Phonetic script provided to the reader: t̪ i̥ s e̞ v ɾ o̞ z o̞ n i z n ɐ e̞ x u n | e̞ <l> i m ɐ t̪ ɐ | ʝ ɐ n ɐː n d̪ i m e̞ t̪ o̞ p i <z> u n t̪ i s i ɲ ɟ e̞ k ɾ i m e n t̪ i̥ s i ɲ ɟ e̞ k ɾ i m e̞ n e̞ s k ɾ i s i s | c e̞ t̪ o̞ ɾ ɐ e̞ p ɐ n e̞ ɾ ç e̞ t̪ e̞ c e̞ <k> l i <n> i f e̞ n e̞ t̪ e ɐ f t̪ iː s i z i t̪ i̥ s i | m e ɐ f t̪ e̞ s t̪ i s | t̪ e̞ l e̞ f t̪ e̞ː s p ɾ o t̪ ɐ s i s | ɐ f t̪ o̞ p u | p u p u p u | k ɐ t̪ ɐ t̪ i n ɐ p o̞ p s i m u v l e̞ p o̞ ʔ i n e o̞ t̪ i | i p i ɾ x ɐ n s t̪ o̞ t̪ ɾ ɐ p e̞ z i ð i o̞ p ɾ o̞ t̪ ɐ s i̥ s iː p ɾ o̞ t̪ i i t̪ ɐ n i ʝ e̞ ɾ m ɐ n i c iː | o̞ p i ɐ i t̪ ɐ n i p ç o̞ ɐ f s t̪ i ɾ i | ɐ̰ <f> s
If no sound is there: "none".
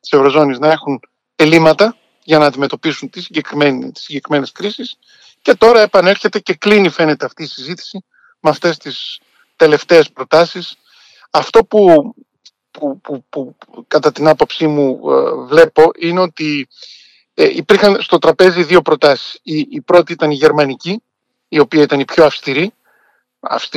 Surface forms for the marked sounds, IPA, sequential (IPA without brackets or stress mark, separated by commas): l, s, k, n, f